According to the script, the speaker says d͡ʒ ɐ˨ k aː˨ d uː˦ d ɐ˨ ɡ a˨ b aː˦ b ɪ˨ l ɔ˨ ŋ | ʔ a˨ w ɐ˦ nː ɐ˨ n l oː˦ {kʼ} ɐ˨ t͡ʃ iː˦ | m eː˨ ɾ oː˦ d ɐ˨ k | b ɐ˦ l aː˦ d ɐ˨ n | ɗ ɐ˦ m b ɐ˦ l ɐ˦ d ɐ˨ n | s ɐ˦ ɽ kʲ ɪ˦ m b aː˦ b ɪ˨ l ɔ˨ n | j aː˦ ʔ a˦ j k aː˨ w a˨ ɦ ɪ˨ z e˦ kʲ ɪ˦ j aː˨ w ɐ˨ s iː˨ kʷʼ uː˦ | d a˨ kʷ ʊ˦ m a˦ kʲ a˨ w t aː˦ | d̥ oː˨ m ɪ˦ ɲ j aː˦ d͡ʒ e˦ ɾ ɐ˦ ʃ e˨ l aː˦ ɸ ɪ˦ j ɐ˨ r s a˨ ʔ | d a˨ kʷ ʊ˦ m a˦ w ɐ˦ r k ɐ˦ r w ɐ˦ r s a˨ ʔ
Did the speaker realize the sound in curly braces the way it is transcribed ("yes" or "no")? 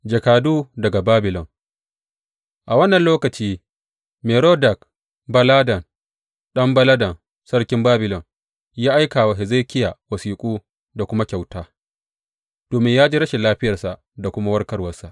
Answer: no